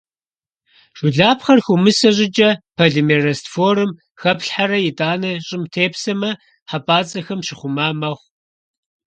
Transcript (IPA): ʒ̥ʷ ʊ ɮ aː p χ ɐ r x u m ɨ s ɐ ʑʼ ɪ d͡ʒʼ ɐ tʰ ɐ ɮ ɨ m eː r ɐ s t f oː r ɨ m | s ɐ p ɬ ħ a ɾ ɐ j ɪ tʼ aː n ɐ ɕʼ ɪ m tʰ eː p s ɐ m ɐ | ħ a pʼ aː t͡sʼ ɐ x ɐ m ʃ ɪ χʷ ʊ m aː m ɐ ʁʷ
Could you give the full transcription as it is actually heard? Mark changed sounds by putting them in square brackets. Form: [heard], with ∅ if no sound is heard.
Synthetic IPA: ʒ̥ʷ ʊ ɮ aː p χ ɐ r x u m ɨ s ɐ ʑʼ ɪ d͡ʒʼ ɐ [pʰ] ɐ ɮ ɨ m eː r ɐ s t f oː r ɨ m | [x] ɐ p ɬ ħ a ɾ ɐ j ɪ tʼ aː n ɐ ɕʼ ɪ m tʰ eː p s ɐ m ɐ | ħ a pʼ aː t͡sʼ ɐ x ɐ m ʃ ɪ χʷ ʊ m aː m ɐ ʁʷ